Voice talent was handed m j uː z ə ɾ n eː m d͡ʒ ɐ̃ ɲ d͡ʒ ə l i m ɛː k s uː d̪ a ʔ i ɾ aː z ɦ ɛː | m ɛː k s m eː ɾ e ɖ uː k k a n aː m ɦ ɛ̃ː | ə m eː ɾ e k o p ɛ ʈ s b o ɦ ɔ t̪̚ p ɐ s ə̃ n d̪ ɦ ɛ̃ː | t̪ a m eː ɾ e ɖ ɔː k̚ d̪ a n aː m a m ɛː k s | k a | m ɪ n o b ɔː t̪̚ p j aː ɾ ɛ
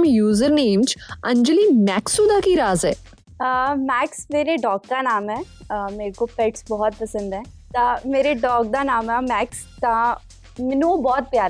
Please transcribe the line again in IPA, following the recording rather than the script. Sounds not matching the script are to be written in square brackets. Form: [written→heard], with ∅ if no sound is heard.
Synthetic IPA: m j uː z ə ɾ n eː m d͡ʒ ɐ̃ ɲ d͡ʒ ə l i m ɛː k s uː d̪ a [ʔ→k] i ɾ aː z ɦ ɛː | m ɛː k s m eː ɾ e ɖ [uː→ɔː] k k a n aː m ɦ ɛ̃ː | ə m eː ɾ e k o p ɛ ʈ s b [o→ɔ] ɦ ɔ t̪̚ p ɐ s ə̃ n d̪ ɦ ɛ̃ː | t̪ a m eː ɾ e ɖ ɔː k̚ d̪ a n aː m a m ɛː k s | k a | m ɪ n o b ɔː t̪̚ p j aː ɾ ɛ